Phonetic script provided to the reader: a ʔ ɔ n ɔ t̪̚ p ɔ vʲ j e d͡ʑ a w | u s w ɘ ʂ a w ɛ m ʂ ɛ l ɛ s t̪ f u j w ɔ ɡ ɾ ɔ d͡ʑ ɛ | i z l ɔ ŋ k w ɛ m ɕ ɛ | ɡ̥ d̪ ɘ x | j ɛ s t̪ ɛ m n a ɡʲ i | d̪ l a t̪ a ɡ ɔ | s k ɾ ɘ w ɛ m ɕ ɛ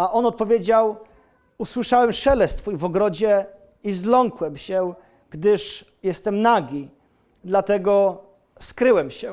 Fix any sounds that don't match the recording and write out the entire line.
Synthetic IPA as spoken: a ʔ ɔ n ɔ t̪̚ p ɔ vʲ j e d͡ʑ a w | u s w ɘ ʂ a w ɛ m ʂ ɛ l ɛ s t̪ f u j v ɔ ɡ ɾ ɔ d͡ʑ ɛ | i z l ɔ ŋ k w ɛ m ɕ ɛ | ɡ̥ d̪ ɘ ʂ | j ɛ s t̪ ɛ m n a ɡʲ i | d̪ l a t̪ ɛ ɡ ɔ | s k ɾ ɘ w ɛ m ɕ ɛ